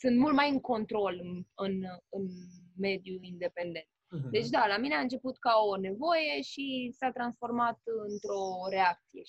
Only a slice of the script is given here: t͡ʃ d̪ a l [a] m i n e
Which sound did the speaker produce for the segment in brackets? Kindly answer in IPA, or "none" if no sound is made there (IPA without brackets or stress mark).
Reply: a